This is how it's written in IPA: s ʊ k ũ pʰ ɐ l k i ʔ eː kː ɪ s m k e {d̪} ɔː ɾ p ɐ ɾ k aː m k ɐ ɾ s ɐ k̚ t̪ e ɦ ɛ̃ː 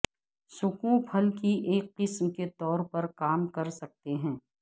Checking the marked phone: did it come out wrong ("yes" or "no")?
yes